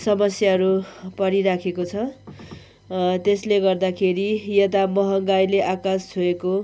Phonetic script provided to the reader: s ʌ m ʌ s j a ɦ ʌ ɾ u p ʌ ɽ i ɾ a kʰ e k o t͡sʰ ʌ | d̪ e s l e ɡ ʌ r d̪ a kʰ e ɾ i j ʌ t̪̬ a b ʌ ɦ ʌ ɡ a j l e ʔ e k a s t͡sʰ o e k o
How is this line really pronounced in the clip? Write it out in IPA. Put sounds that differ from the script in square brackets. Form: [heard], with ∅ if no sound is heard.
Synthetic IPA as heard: s ʌ m ʌ s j a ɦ ʌ ɾ u p ʌ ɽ i ɾ a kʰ e k o t͡sʰ ʌ | [t̪] e s l e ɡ ʌ r d̪ a kʰ e ɾ i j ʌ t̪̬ a [m] ʌ ɦ ʌ ɡ a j l e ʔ [a] k a s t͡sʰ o e k o